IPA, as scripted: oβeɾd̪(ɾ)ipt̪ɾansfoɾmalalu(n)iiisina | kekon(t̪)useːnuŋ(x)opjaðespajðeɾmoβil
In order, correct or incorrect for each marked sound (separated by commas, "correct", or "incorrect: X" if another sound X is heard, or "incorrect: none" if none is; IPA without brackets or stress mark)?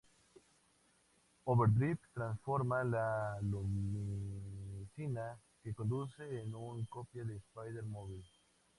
correct, incorrect: m, incorrect: d̪, incorrect: k